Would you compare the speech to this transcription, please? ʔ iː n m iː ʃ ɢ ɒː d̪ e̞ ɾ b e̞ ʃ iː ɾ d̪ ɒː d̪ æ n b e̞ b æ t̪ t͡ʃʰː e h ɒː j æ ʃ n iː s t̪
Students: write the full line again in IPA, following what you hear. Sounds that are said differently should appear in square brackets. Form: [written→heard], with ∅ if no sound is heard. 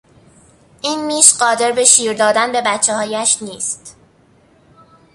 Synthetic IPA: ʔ iː n m iː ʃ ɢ ɒː d̪ e̞ ɾ b e̞ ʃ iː ɾ d̪ ɒː d̪ æ n b e̞ b æ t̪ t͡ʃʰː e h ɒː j æ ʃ n iː s t̪